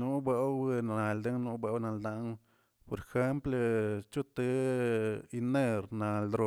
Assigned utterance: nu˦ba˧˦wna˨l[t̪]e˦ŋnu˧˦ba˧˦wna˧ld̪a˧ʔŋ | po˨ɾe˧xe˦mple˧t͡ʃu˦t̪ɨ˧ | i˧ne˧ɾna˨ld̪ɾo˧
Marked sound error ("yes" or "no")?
yes